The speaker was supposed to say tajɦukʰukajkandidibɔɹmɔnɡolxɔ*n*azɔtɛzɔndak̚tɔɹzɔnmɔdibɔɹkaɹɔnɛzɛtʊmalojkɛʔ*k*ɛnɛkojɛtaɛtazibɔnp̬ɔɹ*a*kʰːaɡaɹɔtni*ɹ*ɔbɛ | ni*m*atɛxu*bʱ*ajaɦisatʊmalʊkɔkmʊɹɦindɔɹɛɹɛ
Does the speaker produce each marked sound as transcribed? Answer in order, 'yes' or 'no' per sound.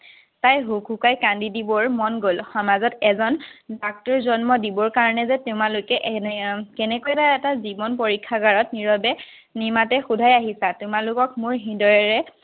no, yes, no, yes, yes, no

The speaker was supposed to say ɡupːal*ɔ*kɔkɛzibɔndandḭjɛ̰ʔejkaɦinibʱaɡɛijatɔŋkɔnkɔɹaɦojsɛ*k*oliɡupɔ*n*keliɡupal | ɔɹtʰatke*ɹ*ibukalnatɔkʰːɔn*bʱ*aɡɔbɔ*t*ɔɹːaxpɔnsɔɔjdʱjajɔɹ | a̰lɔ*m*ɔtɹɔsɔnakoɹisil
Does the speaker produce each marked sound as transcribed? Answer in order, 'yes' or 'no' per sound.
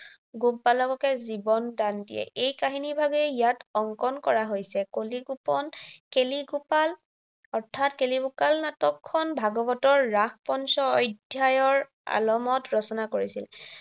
yes, yes, yes, no, yes, yes, yes

